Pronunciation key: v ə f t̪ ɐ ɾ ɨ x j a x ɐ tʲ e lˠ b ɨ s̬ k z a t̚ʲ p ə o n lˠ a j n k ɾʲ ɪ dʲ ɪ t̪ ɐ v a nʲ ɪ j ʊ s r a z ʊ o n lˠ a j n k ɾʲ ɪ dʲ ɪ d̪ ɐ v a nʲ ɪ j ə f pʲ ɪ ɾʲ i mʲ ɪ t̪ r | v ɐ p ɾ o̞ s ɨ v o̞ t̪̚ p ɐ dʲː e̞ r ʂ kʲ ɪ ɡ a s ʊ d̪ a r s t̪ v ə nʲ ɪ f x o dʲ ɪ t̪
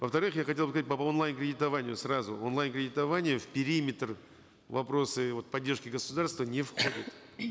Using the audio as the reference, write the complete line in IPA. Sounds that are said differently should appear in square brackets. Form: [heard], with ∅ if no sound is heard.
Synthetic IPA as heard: v ə f t̪ ɐ ɾ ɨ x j a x ɐ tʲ e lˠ b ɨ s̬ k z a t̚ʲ p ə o n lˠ a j n k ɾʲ ɪ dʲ ɪ t̪ ɐ v a nʲ ɪ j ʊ s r a z ʊ o n lˠ a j n k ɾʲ ɪ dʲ ɪ [t̪] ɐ v a nʲ ɪ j ə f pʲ ɪ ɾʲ i mʲ ɪ t̪ r | v ɐ p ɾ o̞ s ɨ v o̞ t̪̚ p ɐ dʲː e̞ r ʂ kʲ ɪ ɡ [ə] s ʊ d̪ a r s t̪ v ə nʲ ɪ f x o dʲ ɪ t̪